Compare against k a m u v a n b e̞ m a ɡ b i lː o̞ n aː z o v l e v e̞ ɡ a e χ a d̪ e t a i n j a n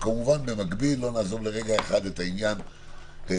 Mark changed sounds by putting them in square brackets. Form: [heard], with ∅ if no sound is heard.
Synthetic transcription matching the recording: k a m u v a n b e̞ m a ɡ b i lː o̞ n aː z o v l e [ʁ] e̞ ɡ a e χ a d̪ e t a i n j a n